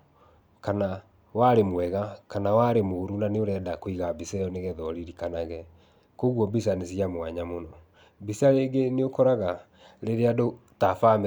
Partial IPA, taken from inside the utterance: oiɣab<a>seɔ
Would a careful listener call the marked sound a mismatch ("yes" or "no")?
yes